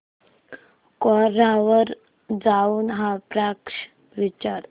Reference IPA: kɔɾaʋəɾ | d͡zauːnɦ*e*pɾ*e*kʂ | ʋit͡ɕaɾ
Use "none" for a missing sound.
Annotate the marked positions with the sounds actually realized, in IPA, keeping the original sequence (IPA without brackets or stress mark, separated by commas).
a, a